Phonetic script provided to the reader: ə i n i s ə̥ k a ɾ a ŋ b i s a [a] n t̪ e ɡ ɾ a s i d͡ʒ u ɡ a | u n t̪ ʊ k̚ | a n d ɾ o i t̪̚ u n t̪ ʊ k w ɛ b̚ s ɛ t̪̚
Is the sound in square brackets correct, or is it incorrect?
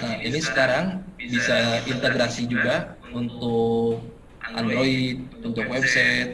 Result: incorrect